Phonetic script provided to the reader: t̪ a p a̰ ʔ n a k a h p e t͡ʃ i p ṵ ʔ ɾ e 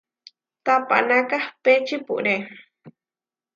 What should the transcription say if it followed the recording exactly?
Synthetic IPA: t̪ a p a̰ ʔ n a k a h p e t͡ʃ i p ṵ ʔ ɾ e